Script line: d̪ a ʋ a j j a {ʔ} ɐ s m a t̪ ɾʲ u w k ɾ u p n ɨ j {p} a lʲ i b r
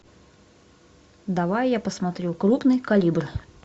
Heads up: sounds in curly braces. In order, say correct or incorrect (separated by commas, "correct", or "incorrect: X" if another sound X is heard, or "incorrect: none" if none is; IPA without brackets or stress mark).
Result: incorrect: p, incorrect: k